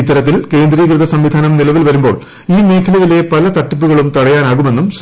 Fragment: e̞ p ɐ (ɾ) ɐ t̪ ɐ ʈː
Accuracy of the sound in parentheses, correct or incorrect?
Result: incorrect